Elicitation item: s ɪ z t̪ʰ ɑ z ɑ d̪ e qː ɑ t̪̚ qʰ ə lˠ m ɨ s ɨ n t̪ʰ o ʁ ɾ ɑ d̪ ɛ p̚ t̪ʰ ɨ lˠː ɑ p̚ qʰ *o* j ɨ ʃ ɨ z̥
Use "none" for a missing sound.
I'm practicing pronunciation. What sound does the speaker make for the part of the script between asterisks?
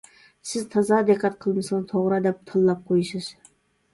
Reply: o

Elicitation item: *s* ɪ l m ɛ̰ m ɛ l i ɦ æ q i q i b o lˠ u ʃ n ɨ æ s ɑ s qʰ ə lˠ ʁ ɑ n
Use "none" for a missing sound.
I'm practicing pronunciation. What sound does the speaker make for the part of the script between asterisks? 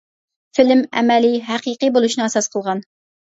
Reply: f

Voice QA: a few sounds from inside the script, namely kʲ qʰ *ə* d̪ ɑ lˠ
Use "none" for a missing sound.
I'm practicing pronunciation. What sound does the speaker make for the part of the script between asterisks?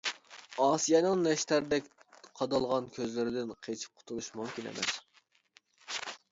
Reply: ɑ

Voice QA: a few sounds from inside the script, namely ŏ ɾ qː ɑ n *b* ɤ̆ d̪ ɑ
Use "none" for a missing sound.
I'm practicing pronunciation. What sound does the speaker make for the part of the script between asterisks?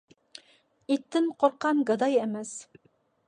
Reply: ɡ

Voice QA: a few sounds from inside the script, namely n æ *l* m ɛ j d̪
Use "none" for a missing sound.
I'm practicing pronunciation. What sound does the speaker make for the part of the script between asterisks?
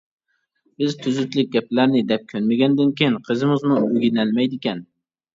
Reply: l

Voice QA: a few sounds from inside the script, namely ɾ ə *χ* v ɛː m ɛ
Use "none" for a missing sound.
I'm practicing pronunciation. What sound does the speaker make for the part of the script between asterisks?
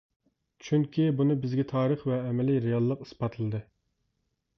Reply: χ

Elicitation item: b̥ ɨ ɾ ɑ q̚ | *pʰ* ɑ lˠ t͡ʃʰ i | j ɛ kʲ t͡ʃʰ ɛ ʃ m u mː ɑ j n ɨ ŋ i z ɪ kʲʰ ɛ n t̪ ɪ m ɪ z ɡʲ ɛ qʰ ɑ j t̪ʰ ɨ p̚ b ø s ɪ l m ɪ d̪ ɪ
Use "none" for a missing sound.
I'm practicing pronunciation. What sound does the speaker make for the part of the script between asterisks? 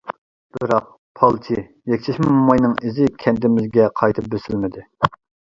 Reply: pʰ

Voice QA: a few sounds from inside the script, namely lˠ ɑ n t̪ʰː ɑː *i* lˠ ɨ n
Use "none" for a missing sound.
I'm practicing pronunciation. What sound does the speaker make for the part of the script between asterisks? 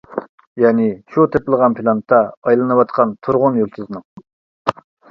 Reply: j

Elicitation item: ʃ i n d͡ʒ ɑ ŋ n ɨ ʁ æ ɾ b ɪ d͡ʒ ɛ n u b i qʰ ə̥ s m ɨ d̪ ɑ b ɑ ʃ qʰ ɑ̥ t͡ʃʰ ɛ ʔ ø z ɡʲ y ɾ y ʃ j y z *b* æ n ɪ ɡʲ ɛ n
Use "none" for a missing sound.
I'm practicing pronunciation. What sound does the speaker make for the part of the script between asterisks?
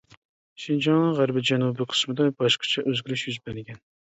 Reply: b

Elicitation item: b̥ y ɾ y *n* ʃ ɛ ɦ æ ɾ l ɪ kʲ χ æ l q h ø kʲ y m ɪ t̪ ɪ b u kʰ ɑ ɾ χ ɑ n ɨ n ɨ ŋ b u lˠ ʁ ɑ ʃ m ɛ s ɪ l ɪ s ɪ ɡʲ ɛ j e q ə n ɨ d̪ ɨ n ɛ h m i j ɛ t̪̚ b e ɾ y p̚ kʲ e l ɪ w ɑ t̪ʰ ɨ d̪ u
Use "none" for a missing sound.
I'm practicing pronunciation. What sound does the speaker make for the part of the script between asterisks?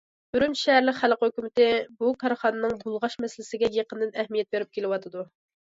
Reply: n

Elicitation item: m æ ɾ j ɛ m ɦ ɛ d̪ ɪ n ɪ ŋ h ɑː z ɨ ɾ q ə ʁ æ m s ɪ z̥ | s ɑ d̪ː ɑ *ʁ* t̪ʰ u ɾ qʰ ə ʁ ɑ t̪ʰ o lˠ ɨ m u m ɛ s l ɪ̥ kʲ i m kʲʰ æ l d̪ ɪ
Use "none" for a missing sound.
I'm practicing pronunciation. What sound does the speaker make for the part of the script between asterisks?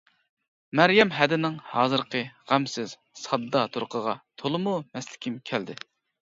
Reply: none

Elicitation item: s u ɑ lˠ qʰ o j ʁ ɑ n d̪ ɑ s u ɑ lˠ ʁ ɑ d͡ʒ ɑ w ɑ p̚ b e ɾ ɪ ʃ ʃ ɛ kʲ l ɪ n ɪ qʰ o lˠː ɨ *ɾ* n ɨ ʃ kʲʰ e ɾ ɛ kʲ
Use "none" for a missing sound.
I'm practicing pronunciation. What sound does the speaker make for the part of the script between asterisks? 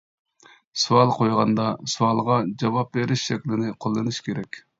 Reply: none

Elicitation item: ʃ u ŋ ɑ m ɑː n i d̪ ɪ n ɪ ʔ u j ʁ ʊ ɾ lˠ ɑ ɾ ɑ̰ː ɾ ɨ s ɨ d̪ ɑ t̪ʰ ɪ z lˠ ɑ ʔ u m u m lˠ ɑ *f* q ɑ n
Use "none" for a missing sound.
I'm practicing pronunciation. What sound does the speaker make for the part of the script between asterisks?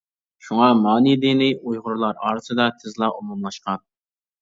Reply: ʃ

